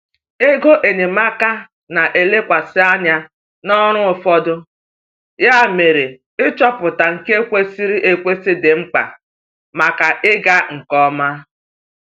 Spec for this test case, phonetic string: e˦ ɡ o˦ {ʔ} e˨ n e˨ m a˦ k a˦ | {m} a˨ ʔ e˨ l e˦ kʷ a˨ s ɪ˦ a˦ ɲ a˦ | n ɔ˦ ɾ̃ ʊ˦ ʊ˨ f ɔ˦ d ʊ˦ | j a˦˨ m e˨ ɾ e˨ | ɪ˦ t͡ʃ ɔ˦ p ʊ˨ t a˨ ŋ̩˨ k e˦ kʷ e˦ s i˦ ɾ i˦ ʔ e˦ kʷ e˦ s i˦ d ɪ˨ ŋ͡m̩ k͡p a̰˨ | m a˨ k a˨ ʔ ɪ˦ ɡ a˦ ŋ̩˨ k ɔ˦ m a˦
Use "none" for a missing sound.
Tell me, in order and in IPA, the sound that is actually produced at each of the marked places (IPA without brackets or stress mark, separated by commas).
ʔ, n